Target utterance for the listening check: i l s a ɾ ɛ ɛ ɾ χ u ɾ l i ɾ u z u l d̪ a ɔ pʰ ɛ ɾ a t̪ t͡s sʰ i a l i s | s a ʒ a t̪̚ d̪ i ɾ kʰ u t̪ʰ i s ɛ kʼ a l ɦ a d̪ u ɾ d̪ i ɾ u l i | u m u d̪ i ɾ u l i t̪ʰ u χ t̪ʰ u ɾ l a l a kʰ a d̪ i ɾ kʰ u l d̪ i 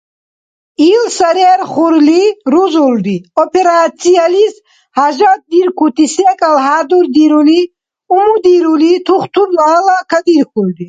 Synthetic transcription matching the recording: i l s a ɾ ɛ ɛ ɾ χ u ɾ l i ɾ u z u l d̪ i ɔ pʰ ɛ ɾ a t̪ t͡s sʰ i a l i s | h a ʒ a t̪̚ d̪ i ɾ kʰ u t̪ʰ i s ɛ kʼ a l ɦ a d̪ u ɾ d̪ i ɾ u l i | u m u d̪ i ɾ u l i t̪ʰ u χ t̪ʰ u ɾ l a l a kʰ a d̪ i ɾ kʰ u l d̪ i